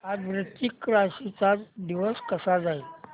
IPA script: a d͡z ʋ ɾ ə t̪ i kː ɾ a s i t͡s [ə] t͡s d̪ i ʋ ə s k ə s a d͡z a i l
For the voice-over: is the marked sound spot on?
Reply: no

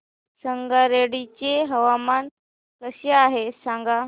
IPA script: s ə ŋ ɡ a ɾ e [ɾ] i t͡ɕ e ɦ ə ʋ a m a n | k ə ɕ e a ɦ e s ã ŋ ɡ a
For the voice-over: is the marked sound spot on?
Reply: no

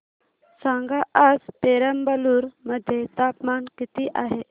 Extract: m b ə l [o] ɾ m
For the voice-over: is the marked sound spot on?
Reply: no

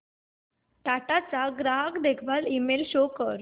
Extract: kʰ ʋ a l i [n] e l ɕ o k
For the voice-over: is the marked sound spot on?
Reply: no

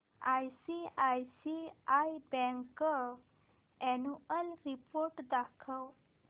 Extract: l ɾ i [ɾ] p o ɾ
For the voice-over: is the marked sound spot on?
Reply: no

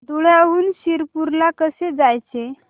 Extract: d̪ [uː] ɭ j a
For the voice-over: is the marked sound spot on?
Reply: no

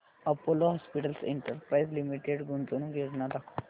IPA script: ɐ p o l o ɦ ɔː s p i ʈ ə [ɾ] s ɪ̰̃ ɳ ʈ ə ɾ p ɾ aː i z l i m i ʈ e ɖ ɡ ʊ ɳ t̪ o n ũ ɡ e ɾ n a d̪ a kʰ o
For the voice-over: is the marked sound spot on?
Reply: no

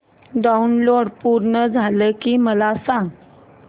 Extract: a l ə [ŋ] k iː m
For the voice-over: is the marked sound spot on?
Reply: no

